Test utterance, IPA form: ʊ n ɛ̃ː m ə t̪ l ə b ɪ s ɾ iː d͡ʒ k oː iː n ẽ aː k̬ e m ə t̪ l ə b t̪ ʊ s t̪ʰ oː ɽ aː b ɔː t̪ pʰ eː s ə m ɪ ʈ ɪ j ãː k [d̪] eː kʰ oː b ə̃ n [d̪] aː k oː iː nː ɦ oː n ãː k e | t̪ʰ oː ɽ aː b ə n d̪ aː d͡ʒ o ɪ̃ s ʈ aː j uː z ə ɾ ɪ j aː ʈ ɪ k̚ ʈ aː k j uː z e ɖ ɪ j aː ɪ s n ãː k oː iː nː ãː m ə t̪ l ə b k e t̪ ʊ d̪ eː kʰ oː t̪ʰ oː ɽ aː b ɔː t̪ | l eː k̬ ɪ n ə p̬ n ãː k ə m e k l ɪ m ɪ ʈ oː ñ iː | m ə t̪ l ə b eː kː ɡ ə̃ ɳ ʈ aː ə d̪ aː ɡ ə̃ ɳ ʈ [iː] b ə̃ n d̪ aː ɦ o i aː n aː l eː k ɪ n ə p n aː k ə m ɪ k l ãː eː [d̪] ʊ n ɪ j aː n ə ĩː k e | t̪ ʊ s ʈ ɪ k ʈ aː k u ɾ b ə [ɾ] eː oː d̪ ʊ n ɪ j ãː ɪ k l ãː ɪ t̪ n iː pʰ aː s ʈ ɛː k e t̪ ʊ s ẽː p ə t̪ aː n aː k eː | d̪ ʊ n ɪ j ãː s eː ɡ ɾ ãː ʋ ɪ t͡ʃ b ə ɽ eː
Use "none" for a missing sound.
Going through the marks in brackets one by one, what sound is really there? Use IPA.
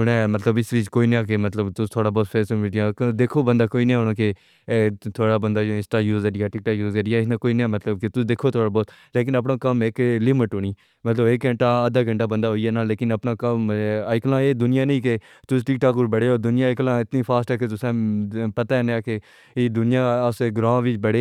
d̪, d̪, aː, d̪, ɽ

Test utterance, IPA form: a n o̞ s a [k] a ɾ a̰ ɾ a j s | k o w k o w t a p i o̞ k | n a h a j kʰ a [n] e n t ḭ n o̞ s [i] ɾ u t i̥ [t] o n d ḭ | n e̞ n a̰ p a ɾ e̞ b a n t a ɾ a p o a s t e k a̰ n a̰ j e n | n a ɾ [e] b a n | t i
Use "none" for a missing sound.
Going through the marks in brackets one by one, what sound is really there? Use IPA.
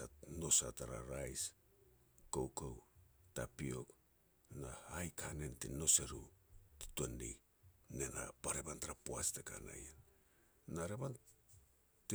t, n, e, t, e

